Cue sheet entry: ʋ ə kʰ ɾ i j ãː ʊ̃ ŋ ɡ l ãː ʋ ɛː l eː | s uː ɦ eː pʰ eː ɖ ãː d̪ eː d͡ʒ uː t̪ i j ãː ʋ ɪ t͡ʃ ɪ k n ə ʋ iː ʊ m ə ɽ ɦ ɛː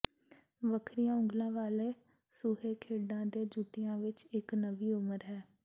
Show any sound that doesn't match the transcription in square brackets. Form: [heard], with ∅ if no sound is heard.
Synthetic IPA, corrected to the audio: ʋ ə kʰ ɾ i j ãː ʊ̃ ŋ ɡ l ãː ʋ [aː] l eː | s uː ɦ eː [kʰ] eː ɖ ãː d̪ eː d͡ʒ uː t̪ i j ãː ʋ ɪ t͡ʃ ɪ k n ə ʋ iː ʊ m ə [ɾ] ɦ ɛː